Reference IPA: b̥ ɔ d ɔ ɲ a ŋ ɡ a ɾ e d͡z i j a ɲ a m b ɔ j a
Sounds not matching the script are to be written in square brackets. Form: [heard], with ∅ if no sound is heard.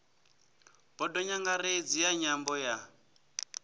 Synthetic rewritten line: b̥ ɔ d ɔ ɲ a ŋ ɡ a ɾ e d͡z i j a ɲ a m b ɔ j a